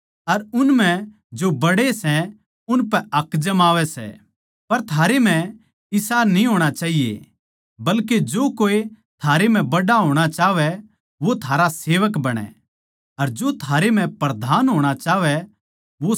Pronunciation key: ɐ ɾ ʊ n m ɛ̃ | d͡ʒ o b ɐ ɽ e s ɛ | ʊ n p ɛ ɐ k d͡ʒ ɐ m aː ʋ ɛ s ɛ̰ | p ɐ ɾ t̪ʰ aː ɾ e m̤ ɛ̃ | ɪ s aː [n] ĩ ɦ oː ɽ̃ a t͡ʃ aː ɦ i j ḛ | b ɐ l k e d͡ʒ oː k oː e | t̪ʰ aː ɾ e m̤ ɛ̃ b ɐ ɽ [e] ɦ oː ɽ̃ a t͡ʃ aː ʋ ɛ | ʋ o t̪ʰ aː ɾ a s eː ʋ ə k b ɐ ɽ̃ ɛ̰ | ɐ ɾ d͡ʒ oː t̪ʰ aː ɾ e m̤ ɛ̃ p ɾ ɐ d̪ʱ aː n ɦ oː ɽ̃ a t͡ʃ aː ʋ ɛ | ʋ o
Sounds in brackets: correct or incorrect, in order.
correct, incorrect: a

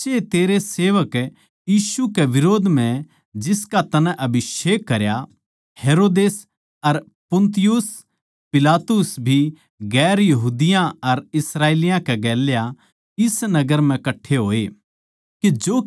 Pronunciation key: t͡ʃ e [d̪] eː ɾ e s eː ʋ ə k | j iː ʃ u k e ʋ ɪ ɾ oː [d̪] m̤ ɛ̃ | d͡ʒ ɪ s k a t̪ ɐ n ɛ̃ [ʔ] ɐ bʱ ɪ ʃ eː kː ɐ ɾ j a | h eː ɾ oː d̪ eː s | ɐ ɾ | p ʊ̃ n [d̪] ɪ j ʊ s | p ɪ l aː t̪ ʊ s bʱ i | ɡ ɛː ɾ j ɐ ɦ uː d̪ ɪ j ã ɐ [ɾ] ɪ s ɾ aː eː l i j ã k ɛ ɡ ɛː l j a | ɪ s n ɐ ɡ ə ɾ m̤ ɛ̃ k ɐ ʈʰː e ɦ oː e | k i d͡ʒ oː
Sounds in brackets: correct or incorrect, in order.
incorrect: t̪, correct, correct, incorrect: t̪, correct

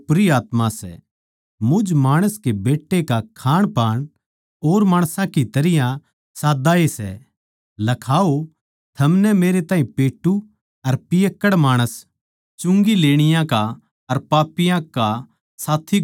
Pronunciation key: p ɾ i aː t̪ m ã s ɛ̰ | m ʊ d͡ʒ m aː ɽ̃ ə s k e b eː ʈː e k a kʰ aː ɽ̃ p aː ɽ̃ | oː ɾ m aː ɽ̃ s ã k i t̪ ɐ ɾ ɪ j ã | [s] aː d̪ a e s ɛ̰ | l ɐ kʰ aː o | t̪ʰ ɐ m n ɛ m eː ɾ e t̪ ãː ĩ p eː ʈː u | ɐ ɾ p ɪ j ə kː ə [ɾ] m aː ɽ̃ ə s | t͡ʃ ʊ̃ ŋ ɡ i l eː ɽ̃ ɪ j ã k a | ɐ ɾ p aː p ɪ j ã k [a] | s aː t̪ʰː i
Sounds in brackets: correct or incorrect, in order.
correct, incorrect: ɽ, correct

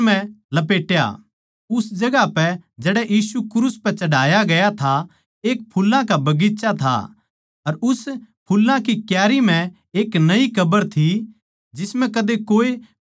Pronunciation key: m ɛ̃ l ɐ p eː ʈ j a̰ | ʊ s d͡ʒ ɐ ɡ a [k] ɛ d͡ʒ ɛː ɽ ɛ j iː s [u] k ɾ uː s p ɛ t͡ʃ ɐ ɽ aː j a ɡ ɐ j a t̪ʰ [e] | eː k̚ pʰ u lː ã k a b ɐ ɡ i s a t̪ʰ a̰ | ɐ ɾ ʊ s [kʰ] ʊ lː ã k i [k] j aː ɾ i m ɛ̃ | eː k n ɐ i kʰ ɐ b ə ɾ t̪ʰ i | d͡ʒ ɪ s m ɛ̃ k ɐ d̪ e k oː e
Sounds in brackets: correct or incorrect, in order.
incorrect: p, correct, incorrect: a, incorrect: pʰ, correct

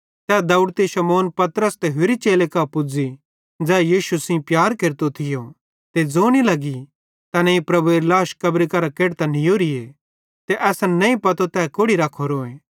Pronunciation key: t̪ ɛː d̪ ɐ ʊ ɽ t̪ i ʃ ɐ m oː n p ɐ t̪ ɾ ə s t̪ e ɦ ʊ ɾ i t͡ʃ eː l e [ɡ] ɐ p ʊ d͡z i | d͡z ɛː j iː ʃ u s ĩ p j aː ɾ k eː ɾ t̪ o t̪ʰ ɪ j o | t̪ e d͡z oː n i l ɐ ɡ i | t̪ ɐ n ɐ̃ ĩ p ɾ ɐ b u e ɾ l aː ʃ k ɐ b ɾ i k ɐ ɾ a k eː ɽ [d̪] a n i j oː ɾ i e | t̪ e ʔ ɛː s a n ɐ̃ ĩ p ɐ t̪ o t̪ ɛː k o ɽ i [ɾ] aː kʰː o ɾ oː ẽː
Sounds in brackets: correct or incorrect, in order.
incorrect: k, incorrect: t̪, correct

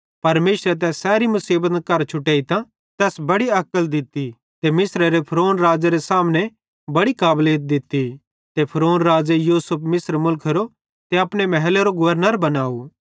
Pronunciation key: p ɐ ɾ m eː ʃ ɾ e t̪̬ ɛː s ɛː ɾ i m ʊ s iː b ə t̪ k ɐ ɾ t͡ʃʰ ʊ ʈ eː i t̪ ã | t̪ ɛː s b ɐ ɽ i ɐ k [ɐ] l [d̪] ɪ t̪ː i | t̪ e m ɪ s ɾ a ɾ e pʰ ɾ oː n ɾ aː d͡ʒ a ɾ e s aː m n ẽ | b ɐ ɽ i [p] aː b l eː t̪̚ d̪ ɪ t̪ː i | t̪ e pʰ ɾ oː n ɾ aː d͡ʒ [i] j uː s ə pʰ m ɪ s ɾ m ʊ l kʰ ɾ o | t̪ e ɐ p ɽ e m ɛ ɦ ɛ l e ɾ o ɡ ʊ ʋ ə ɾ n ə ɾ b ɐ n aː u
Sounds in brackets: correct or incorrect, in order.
incorrect: ə, correct, incorrect: k, incorrect: e

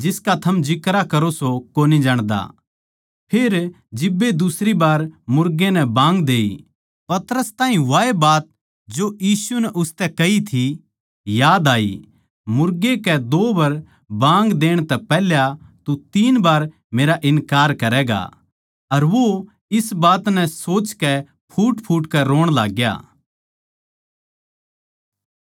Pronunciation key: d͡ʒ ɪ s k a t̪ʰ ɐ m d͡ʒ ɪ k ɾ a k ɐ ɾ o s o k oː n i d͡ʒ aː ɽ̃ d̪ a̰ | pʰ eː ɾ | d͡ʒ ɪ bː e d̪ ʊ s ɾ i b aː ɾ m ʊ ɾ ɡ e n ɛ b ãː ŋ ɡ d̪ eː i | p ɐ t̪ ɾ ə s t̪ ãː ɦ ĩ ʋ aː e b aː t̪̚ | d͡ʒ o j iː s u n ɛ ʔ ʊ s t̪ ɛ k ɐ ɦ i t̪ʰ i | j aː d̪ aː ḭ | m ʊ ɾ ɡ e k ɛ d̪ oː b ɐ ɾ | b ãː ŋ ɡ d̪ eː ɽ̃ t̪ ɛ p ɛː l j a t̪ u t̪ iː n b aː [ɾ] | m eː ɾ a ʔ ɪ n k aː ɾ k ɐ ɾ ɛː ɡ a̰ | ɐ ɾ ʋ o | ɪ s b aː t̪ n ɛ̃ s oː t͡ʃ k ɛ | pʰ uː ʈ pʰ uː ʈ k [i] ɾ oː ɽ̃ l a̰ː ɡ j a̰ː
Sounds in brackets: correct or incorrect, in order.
correct, incorrect: ɛ

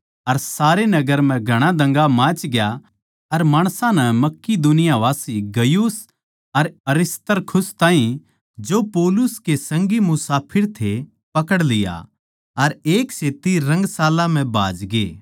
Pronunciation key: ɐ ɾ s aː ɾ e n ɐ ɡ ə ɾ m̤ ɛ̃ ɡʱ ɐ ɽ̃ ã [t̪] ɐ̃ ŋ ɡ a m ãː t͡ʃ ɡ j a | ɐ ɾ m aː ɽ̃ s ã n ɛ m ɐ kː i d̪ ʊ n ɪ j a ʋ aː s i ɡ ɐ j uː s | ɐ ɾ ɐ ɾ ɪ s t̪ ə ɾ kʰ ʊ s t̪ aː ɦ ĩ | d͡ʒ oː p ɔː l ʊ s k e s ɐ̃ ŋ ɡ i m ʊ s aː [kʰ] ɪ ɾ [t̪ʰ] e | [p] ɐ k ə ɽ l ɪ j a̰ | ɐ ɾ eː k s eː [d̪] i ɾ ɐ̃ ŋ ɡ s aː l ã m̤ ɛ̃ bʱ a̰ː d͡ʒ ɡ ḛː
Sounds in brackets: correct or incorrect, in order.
incorrect: d̪, incorrect: pʰ, correct, correct, incorrect: t̪

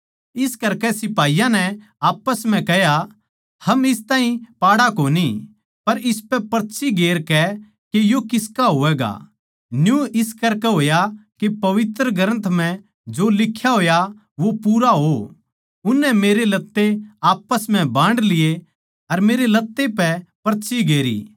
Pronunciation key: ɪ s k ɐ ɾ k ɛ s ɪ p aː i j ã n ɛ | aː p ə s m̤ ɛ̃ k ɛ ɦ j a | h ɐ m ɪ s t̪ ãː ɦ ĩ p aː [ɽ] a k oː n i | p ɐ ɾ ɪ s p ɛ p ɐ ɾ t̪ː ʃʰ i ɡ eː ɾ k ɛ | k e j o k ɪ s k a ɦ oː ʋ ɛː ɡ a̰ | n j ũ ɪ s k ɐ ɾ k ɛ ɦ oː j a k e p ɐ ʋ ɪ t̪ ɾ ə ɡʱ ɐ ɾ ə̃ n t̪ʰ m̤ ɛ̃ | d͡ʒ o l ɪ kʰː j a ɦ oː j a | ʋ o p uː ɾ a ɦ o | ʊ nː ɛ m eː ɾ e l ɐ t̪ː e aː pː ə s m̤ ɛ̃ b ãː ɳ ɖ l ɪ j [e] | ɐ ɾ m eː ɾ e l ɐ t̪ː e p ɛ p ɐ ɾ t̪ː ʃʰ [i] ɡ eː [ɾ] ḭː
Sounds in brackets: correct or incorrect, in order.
correct, correct, correct, correct

